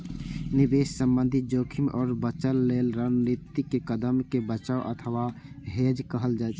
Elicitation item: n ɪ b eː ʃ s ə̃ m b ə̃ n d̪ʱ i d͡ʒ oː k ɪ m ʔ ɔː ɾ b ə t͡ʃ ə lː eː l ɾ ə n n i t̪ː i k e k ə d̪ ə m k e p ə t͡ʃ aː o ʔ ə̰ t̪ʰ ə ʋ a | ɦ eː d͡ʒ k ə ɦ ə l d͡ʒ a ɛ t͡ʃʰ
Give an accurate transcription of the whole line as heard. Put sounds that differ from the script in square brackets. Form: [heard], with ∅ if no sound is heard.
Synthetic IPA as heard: n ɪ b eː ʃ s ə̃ m b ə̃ n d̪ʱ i d͡ʒ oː [kʰ] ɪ m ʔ ɔː ɾ b ə t͡ʃ ə lː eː l ɾ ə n n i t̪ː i k e k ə d̪ ə m k e [b] ə t͡ʃ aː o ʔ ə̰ t̪ʰ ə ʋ a | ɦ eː d͡ʒ k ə ɦ ə l d͡ʒ a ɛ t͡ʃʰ